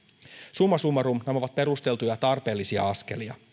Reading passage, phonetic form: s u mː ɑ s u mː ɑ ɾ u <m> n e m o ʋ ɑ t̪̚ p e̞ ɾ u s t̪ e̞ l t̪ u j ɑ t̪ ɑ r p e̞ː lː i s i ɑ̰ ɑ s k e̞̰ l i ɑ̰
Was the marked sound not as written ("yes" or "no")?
no